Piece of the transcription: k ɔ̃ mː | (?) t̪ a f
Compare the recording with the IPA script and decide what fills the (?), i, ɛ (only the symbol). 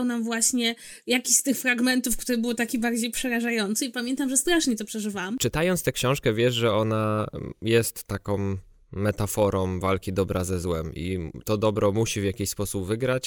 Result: ɛ